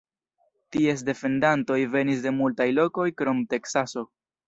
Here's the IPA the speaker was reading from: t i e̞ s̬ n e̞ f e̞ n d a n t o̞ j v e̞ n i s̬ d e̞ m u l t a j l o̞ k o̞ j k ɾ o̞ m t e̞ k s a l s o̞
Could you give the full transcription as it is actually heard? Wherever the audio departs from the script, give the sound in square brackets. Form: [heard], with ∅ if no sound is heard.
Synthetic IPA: t i e̞ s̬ [d] e̞ f e̞ n d a n t o̞ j v e̞ n i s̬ d e̞ m u l t a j l o̞ k o̞ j k ɾ o̞ m t e̞ k s a [∅] s o̞